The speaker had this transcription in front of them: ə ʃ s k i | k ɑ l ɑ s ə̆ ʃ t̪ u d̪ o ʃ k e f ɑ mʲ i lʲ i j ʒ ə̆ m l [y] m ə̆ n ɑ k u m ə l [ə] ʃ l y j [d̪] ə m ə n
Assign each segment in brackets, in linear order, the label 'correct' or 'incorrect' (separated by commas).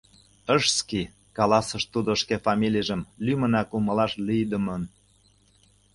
correct, incorrect, correct